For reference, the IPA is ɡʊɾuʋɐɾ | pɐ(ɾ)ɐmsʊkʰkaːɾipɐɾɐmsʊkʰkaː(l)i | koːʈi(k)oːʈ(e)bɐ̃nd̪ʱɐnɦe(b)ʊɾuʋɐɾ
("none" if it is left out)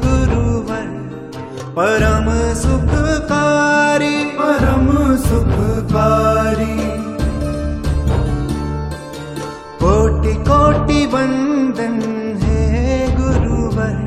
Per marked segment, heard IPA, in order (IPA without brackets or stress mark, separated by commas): ɾ, ɾ, k, i, ɡ